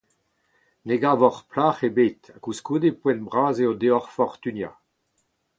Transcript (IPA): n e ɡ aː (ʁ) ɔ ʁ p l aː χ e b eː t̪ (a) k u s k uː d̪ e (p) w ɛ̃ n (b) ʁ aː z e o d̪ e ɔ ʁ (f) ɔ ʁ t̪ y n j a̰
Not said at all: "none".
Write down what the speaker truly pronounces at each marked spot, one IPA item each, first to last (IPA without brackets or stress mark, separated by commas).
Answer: v, a, p, b, f